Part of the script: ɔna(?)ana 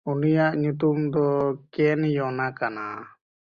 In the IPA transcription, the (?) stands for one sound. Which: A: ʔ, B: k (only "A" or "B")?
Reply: B